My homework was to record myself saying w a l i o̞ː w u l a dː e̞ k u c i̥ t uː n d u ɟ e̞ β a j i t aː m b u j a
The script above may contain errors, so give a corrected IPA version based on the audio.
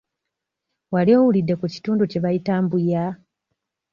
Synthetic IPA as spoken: w a l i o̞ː w u l i dː e̞ k u c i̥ t uː n d u c e̞ β a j i t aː m b u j a